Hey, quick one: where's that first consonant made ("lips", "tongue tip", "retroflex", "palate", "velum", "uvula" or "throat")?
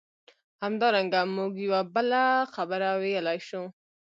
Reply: throat